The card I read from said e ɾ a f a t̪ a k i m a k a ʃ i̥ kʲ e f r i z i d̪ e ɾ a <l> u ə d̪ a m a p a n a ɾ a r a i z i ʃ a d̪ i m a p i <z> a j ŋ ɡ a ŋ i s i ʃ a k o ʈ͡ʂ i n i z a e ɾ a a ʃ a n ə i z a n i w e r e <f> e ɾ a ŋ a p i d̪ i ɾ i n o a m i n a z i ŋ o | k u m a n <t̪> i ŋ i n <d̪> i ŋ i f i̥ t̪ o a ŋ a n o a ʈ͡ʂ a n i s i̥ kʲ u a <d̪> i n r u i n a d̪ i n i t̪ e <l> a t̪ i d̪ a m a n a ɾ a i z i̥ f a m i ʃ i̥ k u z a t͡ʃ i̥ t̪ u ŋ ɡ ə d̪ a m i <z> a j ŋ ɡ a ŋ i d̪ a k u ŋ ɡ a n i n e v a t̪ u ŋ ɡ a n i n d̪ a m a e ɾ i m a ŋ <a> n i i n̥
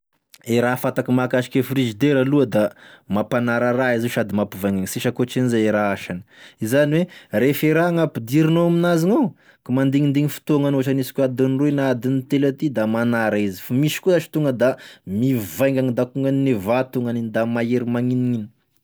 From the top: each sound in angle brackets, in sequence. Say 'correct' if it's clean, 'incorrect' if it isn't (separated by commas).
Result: correct, incorrect, correct, incorrect, correct, correct, correct, incorrect, incorrect